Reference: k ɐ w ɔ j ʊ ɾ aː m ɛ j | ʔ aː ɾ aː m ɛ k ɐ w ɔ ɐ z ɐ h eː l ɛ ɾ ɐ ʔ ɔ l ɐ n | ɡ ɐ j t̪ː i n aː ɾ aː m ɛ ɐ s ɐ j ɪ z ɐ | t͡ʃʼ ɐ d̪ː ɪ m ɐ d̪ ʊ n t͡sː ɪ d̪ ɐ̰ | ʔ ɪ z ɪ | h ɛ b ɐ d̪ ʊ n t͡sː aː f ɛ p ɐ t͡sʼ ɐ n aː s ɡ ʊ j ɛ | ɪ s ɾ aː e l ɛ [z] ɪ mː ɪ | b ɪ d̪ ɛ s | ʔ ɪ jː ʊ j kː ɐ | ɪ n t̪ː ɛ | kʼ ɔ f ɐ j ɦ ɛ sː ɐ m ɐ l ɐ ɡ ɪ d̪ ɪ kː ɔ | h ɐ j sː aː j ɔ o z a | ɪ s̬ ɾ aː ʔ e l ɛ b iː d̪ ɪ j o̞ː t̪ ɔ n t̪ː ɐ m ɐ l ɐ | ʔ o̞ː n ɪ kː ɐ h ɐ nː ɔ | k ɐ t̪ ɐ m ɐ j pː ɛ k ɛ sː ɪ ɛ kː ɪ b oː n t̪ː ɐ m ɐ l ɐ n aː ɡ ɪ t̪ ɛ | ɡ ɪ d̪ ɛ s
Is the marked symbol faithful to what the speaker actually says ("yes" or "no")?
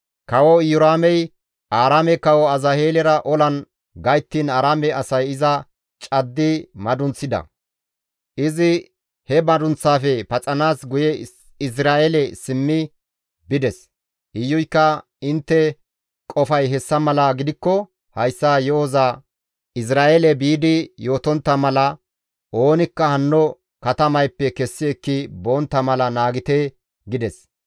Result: no